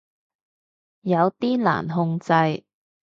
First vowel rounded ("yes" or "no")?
no